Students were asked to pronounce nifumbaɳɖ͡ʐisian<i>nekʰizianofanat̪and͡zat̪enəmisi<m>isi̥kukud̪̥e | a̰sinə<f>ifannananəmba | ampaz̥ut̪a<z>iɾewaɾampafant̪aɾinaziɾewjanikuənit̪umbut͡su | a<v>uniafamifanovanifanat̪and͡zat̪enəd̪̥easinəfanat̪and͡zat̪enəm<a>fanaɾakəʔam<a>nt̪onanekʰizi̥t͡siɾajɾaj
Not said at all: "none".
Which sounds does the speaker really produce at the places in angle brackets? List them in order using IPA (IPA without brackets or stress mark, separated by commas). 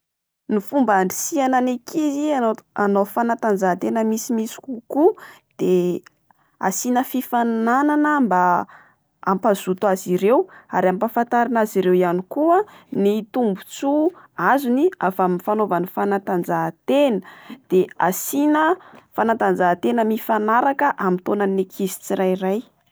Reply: a, m, f, z, z, i, i